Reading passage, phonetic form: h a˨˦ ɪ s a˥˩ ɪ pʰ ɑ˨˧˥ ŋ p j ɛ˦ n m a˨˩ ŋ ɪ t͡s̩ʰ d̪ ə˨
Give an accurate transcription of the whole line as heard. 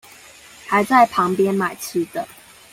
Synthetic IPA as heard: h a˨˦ ɪ t͡s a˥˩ ɪ pʰ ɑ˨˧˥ ŋ p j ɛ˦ n m a˨˩ ɪ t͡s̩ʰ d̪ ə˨